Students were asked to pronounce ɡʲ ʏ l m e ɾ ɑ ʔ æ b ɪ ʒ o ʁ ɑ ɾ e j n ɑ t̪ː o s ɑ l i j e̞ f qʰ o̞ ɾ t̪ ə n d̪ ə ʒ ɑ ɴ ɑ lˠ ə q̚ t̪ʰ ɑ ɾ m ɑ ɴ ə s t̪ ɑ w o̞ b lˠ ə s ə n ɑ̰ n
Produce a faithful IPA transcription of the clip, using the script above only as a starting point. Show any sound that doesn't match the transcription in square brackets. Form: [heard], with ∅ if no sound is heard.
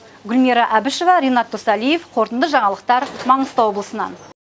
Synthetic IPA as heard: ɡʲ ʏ l m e ɾ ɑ ʔ æ b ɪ [ʃ] o [v] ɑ ɾ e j n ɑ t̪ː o s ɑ l i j e̞ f qʰ o̞ ɾ t̪ ə n d̪ ə ʒ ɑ ɴ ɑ lˠ ə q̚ [t̪] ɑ ɾ m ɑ ɴ ə s t̪ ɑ w o̞ b lˠ ə s ə n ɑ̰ n